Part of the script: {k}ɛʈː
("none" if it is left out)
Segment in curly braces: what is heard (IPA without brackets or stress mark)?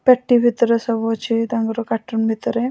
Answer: p